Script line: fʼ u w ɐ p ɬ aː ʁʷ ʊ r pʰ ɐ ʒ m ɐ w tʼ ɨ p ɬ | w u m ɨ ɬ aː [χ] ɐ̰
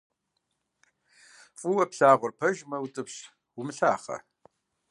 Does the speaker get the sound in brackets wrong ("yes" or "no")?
no